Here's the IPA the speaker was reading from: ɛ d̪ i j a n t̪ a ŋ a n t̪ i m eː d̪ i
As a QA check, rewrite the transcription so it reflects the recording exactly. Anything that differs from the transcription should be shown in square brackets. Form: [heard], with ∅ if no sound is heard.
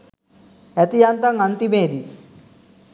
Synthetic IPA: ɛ [t̪] i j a n t̪ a ŋ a n t̪ i m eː d̪ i